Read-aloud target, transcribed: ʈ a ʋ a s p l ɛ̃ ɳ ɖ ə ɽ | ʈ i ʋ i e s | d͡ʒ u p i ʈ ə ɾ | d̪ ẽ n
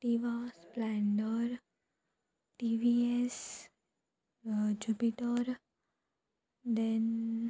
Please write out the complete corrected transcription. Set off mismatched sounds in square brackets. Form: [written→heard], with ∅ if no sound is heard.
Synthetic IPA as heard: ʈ [a→i] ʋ a s p l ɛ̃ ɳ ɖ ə [ɽ→ɾ] | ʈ i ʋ i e s | d͡ʒ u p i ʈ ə ɾ | d̪ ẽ n